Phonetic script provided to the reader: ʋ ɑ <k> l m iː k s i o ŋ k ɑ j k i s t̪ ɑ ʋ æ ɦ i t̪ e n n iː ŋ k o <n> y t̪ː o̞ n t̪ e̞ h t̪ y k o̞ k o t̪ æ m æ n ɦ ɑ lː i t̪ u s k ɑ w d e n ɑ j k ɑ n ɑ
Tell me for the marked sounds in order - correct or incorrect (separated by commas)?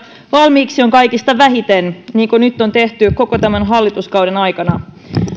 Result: incorrect, correct